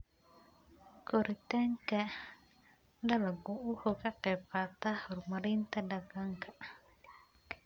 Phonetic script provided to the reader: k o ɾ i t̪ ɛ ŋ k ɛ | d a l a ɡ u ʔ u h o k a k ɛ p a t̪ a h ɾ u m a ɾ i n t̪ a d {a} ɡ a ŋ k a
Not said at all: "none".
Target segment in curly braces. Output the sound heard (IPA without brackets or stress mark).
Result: a